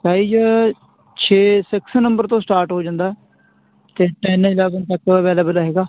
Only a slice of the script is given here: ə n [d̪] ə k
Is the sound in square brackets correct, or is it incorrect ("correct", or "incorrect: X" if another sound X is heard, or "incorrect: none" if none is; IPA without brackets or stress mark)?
incorrect: t̪